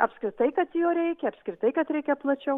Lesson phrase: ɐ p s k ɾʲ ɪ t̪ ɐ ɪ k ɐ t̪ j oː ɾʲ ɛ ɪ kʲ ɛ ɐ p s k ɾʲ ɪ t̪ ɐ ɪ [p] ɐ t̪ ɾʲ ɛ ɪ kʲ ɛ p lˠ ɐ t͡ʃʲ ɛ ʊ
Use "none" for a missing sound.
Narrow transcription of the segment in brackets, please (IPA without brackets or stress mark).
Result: k